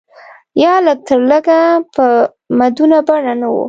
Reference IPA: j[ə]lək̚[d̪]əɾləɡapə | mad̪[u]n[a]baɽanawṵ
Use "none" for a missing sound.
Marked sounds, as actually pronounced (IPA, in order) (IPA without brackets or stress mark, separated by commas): ɑ, t̪, u, a